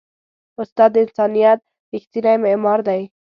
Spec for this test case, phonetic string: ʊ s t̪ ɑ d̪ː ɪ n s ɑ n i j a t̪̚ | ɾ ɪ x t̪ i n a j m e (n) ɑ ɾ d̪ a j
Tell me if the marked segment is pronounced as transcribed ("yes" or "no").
no